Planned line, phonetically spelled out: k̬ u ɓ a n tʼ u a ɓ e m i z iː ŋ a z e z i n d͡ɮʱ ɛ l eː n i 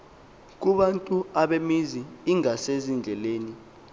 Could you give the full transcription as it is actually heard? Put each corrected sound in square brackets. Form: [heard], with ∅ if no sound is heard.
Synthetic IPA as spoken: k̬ u ɓ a n tʼ u a ɓ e m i z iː ŋ a [s] e z i n d͡ɮʱ ɛ l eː n i